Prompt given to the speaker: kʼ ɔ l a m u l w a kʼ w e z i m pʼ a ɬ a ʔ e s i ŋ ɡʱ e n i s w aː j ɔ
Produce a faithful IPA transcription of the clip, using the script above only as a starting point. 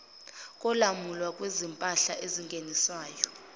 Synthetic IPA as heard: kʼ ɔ l a m u l w a kʼ w e z i m pʼ a ɬ a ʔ e z i ŋ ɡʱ e n i s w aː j ɔ